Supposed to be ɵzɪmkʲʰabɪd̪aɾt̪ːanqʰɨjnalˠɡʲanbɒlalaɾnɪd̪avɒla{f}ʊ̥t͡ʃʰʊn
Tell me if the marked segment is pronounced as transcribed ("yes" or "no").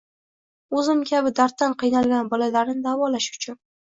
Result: no